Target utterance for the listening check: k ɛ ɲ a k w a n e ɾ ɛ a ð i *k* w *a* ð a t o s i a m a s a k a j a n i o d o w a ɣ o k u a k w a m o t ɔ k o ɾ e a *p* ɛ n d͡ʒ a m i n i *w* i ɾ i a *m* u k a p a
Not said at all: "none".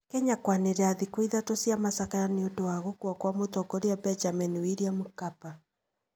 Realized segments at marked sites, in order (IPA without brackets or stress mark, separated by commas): k, i, b, w, m